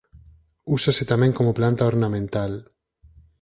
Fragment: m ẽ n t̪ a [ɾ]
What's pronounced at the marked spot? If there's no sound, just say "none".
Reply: l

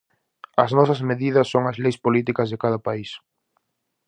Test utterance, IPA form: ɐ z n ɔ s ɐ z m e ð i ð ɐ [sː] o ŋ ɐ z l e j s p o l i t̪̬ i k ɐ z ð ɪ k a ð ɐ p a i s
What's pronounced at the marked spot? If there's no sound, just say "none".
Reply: sː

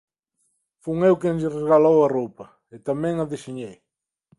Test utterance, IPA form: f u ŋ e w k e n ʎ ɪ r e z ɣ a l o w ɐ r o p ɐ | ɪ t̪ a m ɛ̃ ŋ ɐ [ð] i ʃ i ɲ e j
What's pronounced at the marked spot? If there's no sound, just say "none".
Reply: ð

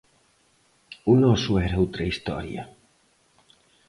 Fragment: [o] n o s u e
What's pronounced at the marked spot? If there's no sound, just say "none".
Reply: u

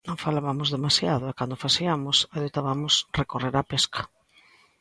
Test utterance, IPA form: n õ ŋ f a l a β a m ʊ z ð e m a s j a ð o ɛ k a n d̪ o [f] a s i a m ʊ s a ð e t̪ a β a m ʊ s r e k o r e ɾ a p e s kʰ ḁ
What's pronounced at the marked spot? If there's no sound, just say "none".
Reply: f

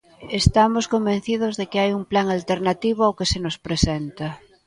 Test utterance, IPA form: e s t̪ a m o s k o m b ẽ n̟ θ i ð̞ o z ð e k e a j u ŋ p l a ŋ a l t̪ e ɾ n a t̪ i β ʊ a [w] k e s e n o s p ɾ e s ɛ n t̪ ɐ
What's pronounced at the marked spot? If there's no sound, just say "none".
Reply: w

